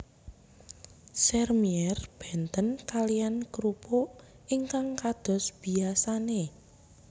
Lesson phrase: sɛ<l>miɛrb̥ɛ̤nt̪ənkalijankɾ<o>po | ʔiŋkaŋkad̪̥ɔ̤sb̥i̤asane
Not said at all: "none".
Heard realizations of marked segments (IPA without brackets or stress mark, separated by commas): r, u